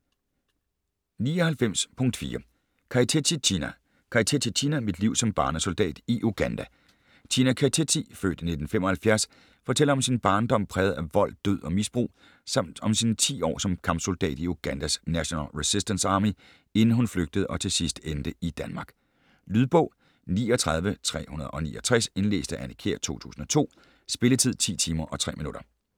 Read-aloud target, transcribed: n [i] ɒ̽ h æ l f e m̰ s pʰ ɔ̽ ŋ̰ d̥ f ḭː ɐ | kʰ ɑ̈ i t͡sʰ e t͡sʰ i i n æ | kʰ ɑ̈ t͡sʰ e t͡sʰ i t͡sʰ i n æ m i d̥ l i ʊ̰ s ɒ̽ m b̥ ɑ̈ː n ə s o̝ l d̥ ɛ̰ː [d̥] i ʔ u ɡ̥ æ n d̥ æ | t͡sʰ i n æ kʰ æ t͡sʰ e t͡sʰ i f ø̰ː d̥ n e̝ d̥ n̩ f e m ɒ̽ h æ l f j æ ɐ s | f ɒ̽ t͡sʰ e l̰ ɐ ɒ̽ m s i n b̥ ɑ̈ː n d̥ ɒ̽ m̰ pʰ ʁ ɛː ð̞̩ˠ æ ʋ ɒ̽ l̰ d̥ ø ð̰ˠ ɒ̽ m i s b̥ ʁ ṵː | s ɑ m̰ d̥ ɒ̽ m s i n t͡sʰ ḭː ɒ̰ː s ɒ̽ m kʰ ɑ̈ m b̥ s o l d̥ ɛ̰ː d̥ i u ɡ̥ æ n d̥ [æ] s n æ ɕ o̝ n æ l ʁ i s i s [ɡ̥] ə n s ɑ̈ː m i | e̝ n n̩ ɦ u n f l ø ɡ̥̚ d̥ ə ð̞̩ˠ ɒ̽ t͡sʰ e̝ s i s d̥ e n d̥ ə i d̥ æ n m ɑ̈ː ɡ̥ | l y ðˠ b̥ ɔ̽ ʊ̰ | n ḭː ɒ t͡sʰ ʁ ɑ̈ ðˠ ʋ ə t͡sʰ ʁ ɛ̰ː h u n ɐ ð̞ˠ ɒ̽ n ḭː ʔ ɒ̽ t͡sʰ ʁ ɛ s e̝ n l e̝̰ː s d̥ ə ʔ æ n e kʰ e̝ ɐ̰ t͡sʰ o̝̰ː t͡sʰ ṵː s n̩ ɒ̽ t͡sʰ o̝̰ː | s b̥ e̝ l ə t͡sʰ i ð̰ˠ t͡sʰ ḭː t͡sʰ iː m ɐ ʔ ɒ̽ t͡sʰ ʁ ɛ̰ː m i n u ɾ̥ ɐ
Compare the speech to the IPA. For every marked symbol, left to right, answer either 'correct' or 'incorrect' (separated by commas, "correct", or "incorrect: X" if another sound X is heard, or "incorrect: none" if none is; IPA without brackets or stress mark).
incorrect: iː, correct, correct, incorrect: d̥